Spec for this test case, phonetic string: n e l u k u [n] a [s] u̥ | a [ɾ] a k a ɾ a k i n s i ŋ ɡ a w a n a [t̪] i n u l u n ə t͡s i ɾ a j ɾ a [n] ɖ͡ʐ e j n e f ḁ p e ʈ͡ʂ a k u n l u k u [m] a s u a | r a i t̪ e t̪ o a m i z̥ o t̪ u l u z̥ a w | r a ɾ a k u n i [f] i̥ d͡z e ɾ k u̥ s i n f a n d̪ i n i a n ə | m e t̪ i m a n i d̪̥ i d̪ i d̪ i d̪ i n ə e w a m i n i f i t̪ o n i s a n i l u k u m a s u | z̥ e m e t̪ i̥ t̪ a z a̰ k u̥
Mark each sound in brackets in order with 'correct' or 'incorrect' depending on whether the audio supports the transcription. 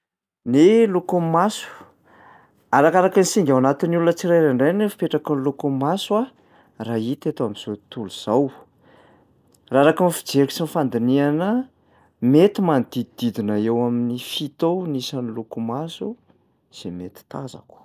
incorrect: m, correct, correct, correct, incorrect: ɳ, correct, correct

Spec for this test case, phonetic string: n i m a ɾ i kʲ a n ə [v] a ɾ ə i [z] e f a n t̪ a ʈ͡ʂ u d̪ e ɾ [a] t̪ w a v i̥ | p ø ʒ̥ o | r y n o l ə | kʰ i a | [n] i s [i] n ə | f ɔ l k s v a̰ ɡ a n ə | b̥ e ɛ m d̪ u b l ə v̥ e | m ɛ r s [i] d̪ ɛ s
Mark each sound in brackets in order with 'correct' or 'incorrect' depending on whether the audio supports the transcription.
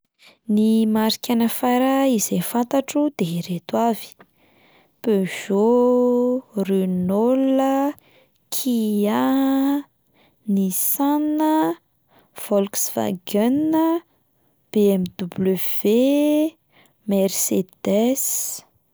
incorrect: f, correct, incorrect: e, correct, incorrect: a, incorrect: e

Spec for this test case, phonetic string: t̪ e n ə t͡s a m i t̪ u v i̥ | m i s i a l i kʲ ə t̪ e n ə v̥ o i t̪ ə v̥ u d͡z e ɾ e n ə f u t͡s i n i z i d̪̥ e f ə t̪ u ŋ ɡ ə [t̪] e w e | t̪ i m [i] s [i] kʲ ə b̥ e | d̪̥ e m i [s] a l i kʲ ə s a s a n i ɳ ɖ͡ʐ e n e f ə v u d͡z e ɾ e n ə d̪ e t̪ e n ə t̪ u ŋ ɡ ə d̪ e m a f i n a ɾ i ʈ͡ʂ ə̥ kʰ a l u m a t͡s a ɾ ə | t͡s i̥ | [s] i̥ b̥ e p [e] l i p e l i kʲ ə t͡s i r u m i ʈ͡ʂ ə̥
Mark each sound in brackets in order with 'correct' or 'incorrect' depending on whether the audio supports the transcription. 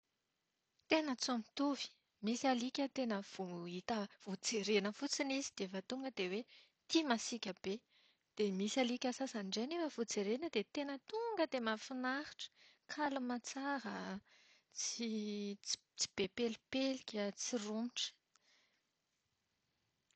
incorrect: d̪, incorrect: a, correct, correct, incorrect: t͡s, correct

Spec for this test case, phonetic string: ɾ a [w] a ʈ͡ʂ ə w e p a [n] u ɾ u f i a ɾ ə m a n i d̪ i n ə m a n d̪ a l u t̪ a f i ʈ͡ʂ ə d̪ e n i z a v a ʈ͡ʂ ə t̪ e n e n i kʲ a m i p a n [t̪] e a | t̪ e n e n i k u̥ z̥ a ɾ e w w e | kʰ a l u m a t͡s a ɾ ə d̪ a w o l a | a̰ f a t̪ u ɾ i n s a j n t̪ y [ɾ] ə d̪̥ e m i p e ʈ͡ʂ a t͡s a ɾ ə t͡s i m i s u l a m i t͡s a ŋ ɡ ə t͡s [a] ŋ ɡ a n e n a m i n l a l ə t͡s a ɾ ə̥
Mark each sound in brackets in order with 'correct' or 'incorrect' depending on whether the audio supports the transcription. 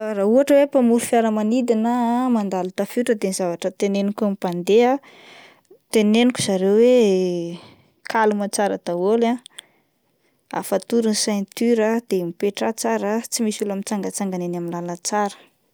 incorrect: u, incorrect: m, incorrect: d̪, correct, correct

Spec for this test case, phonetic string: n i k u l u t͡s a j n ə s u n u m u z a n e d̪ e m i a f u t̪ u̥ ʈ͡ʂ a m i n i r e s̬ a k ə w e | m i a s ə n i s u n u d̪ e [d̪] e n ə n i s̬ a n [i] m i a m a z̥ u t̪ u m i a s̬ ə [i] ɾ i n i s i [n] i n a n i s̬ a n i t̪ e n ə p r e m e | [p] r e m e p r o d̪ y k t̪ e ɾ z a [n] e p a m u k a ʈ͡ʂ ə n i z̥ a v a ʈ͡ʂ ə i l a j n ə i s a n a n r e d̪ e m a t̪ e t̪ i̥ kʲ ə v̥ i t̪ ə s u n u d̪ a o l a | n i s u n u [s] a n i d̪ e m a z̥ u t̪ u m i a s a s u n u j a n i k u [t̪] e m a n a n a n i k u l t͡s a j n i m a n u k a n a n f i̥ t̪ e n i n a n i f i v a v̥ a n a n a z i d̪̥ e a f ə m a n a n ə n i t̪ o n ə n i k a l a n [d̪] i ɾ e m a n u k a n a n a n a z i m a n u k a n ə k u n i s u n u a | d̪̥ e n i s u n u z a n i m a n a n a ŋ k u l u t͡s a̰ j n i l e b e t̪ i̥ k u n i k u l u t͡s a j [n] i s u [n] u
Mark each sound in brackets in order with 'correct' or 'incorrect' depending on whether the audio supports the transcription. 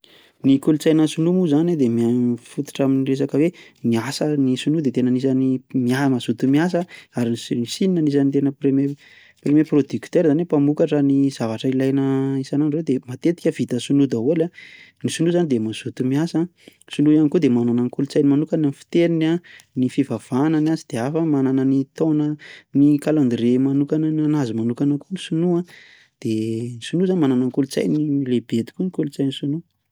incorrect: t̪, correct, incorrect: a, correct, correct, correct, incorrect: z, incorrect: d̪, correct, correct, correct

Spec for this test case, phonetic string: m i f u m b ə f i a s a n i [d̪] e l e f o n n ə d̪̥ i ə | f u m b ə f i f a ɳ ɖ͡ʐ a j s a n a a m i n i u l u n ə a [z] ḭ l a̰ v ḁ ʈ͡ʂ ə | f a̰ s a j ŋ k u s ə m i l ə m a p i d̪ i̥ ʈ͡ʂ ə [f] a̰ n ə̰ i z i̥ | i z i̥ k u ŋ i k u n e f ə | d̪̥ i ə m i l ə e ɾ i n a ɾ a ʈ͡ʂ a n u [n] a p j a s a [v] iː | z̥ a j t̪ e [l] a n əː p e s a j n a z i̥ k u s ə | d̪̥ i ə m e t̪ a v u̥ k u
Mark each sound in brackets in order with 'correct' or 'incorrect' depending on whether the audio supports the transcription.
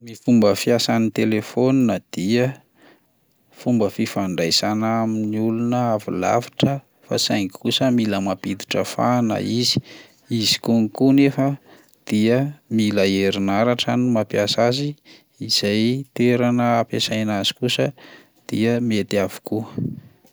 incorrect: t̪, incorrect: v, correct, incorrect: m, incorrect: z, incorrect: ɾ

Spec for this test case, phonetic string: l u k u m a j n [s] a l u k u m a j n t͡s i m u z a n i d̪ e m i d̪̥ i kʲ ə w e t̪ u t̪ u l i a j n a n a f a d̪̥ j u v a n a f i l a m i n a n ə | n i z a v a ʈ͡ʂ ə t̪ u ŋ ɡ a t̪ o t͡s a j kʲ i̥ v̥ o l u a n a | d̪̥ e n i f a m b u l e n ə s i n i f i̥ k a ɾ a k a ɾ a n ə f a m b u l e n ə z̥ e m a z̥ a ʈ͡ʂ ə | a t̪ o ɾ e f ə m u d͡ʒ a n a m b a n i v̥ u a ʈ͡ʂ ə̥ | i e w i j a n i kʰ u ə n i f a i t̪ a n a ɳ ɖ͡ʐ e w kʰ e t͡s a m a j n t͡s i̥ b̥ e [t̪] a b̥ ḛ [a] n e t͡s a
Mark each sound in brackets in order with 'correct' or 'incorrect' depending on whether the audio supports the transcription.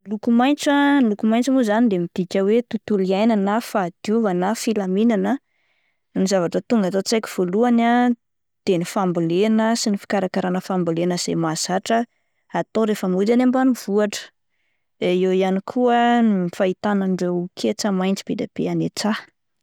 incorrect: t͡s, incorrect: d̪, correct

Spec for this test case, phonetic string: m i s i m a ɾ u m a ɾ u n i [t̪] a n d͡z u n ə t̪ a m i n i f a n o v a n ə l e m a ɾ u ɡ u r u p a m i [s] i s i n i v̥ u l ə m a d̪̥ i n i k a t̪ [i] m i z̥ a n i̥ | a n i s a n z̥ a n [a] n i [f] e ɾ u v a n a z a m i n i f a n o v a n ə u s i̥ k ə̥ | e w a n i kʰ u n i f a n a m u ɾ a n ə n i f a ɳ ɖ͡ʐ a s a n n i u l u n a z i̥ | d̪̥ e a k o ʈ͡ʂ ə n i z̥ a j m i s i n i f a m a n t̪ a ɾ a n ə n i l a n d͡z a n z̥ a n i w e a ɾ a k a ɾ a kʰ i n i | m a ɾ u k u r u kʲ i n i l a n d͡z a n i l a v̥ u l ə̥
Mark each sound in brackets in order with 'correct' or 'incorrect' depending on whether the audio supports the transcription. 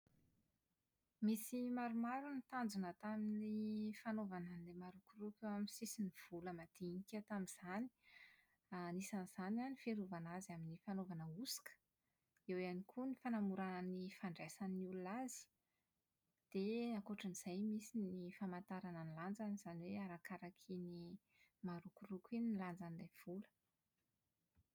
correct, correct, incorrect: a, correct, correct

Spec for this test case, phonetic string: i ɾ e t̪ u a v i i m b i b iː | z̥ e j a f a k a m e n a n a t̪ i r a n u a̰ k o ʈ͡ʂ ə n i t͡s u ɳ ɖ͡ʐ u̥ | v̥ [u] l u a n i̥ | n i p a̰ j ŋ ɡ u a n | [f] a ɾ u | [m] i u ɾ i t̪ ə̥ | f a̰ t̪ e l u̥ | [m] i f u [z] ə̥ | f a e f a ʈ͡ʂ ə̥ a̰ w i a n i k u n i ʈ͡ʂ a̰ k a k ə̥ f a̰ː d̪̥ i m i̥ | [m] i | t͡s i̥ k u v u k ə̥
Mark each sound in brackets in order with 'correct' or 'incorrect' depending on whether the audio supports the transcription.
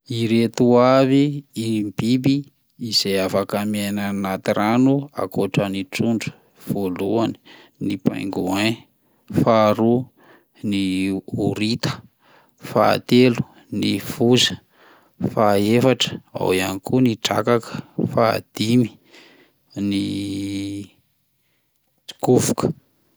incorrect: o, correct, incorrect: n, incorrect: n, correct, incorrect: n

